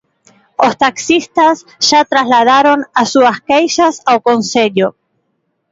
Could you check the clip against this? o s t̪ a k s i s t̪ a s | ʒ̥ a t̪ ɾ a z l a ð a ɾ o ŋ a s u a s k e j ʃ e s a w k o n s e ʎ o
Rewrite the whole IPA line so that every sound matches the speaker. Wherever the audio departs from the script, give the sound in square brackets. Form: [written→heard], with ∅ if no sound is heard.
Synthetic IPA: o s t̪ a k s i s t̪ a s | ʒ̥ a t̪ ɾ a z l a ð a ɾ o [ŋ→n] a s u a s k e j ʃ [e→a] s a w k o n s e ʎ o